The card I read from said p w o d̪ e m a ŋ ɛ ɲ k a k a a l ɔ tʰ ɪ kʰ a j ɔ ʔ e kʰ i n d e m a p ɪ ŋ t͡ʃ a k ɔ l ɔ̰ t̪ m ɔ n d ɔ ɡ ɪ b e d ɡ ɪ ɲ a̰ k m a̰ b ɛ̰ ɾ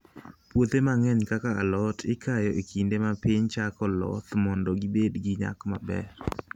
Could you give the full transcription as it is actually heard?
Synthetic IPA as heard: p w o t̪ e m a ŋ ɛ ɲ k a k a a l ɔ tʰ ɪ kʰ a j ɔ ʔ e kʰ i n d e m a p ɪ ɲ t͡ʃ a k ɔ l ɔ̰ t̪ m ɔ n d ɔ ɡ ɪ b e d ɡ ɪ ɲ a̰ k m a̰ b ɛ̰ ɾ